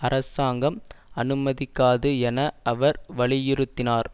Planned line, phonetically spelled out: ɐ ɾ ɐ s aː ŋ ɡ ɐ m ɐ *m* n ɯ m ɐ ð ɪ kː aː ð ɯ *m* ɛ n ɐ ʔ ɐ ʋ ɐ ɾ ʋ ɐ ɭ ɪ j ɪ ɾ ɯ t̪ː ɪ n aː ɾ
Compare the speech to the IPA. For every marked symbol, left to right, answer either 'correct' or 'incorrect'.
incorrect: none, incorrect: none

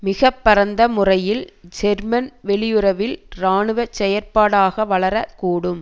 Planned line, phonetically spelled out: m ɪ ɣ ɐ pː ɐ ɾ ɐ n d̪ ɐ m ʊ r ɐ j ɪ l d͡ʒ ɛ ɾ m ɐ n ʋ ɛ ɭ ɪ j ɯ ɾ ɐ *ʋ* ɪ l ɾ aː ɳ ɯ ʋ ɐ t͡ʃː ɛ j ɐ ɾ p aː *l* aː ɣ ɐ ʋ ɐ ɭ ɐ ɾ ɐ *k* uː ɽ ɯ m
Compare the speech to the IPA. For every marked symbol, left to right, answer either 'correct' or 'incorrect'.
correct, incorrect: ɽ, correct

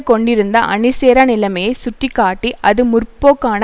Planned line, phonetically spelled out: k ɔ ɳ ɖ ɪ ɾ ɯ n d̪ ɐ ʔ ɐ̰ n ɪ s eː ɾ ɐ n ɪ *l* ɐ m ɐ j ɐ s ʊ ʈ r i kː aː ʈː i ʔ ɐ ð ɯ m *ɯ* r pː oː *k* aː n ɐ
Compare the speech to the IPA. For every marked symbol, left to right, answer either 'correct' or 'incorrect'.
correct, incorrect: ʊ, correct

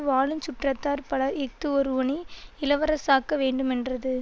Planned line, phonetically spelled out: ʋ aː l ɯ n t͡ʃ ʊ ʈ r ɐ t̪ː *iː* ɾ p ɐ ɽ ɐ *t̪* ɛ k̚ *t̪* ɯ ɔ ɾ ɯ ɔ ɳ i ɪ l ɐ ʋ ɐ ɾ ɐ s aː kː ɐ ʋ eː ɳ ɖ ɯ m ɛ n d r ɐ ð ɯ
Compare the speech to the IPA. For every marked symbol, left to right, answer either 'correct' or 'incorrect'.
incorrect: aː, incorrect: none, correct

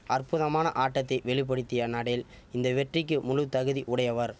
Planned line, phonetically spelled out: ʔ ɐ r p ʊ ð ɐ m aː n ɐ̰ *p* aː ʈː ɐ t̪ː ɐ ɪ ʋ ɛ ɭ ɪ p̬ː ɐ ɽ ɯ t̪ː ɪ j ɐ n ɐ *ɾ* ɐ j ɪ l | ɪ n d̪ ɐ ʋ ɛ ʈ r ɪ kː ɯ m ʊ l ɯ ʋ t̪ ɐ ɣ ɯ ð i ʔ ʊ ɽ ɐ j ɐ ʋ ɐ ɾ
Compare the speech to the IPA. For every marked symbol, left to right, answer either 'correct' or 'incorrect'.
incorrect: ʔ, incorrect: ɽ

